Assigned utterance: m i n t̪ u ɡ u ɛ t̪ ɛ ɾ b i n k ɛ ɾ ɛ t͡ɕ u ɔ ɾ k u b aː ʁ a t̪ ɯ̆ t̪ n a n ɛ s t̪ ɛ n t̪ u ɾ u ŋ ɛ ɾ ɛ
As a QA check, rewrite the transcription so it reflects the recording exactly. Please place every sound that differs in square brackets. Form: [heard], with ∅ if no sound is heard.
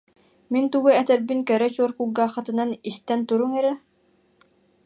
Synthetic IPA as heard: m i n t̪ u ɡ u ɛ t̪ ɛ ɾ b i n k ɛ ɾ ɛ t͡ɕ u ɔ ɾ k u [ɡ] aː [χ] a t̪ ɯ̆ [∅] n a n [i] s t̪ ɛ n t̪ u ɾ u ŋ ɛ ɾ ɛ

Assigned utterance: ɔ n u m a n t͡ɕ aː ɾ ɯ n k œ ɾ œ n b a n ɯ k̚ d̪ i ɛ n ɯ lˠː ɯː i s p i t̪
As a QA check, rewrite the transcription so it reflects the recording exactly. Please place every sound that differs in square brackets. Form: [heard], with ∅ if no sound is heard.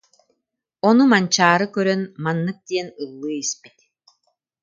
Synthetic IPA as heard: ɔ n u m a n t͡ɕ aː ɾ ɯ [∅] k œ ɾ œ n [m] a [nː] ɯ k̚ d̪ i ɛ n ɯ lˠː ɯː i s p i t̪

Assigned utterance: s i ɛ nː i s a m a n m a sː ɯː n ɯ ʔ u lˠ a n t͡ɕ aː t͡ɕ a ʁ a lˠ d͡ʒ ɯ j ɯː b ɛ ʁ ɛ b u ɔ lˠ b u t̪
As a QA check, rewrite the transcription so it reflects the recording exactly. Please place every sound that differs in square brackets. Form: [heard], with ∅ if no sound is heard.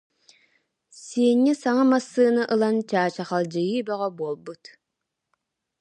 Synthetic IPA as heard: s i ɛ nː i s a [ŋ] a [∅] m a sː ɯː n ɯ ʔ [ɯ] lˠ a n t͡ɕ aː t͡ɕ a [χ] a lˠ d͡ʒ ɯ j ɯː b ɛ ʁ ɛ b u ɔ lˠ b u t̪

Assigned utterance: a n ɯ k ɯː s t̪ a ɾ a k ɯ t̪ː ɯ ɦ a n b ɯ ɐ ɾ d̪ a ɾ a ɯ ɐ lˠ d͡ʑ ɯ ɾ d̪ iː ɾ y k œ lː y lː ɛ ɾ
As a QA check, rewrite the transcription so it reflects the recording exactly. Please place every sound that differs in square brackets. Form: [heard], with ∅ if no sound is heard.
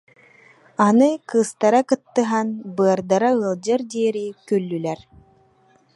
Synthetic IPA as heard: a n ɯ k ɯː s t̪ a ɾ a k ɯ t̪ː ɯ ɦ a n b ɯ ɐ ɾ d̪ a ɾ a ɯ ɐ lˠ d͡ʑ ɯ ɾ d̪ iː ɾ [i] k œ lː y [l] ɛ ɾ

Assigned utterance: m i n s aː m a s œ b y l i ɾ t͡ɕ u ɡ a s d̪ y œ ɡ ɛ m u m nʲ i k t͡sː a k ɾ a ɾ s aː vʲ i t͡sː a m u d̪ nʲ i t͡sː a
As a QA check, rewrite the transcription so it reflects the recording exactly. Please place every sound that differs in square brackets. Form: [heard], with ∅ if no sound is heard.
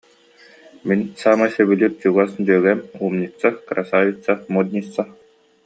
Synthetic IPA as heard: m i n s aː m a s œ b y l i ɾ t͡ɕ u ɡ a s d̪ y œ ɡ ɛ m u m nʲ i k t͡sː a k ɾ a [∅] s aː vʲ i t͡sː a m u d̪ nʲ i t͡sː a

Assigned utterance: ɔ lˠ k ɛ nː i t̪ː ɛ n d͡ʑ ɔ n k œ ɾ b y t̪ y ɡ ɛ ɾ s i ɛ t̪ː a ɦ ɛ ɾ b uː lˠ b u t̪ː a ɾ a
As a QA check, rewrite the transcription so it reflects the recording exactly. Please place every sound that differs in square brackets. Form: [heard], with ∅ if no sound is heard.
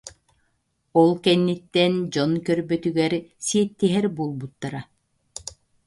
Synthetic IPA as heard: ɔ lˠ k ɛ nː i t̪ː ɛ n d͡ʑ ɔ n k œ ɾ b [œ] t̪ y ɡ ɛ ɾ s i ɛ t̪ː [i] ɦ ɛ ɾ b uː lˠ b u t̪ː a ɾ a

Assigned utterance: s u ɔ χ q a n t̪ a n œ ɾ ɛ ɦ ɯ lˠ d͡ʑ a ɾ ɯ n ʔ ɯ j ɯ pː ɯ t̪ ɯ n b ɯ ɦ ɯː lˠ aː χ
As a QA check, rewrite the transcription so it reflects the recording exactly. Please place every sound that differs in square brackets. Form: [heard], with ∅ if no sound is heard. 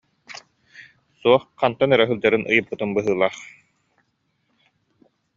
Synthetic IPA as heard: s u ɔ χ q a n t̪ a n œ ɾ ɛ ɦ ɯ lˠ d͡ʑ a ɾ ɯ n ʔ ɯ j ɯ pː ɯ t̪ ɯ n b ɯ ɦ ɯː lˠ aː χ

